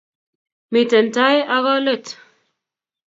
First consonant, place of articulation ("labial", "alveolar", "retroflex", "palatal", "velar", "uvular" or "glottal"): labial